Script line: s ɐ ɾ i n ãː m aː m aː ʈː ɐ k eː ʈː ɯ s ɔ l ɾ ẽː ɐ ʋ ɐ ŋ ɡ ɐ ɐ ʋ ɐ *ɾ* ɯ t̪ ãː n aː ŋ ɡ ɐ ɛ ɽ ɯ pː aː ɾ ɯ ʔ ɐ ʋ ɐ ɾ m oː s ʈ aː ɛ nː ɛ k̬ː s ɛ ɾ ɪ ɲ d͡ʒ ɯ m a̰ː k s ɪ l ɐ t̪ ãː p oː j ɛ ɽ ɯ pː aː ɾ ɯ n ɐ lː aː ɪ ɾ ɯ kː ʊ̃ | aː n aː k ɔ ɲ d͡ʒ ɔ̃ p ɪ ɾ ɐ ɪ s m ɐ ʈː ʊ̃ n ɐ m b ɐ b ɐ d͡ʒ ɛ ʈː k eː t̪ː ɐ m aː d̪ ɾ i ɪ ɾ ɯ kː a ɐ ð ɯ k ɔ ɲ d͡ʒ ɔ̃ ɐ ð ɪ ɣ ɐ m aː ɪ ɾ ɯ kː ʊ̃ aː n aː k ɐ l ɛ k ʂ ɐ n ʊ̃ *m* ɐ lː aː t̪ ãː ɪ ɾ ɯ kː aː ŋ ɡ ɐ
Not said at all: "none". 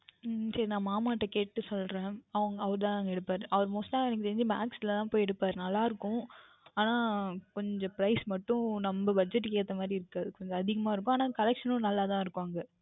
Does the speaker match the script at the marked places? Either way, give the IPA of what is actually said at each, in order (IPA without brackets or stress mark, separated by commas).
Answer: ɾ, n